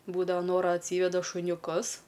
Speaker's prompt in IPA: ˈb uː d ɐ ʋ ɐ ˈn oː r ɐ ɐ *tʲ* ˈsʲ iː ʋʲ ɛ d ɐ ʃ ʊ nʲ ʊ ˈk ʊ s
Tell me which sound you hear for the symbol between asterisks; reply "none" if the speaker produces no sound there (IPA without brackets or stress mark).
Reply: tʲ